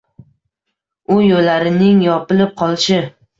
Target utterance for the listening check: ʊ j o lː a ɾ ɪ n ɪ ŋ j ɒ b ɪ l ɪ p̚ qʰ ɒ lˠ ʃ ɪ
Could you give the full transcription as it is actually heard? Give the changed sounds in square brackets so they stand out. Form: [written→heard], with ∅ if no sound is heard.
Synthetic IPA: ʊ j o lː a ɾ ɪ n ɪ ŋ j ɒ [b→p] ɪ l ɪ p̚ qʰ ɒ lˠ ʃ ɪ